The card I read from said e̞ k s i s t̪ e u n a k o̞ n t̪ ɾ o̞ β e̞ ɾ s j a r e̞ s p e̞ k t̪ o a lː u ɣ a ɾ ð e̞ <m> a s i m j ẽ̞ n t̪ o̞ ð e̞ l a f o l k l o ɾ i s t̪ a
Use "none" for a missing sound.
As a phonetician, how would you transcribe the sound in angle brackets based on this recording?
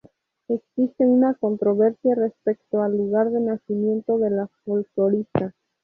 n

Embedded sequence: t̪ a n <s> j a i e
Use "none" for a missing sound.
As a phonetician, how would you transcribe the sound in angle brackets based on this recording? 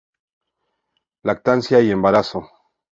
s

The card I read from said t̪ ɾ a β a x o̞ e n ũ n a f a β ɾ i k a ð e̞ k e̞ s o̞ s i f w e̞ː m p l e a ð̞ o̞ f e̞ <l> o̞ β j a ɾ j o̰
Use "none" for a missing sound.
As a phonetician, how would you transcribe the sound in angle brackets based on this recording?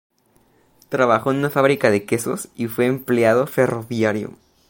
r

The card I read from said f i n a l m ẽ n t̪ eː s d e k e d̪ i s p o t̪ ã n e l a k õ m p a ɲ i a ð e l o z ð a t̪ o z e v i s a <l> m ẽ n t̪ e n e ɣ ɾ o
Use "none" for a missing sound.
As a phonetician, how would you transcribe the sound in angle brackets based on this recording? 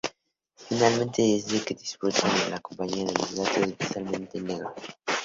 l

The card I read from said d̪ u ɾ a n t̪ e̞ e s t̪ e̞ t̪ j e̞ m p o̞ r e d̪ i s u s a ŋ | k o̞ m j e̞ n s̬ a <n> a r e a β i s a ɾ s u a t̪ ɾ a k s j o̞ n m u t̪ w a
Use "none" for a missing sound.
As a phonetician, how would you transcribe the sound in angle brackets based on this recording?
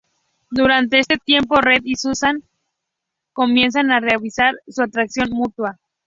n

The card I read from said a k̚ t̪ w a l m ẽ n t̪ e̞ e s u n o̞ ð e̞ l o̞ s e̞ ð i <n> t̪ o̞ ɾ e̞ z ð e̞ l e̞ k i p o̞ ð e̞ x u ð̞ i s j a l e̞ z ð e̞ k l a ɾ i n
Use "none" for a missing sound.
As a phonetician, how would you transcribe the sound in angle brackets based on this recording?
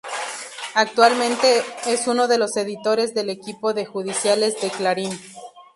none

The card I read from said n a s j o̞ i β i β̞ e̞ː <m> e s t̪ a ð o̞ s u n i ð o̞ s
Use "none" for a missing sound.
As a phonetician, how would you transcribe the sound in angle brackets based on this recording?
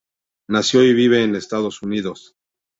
n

